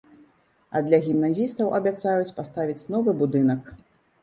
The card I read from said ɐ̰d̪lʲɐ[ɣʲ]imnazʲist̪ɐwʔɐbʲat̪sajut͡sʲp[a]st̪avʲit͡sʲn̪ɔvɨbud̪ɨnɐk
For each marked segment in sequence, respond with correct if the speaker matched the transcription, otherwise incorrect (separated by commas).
correct, correct